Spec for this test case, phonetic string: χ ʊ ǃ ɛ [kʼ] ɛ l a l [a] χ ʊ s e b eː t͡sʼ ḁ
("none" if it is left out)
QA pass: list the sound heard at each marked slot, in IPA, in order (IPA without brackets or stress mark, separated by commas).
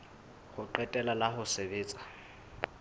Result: tʼ, a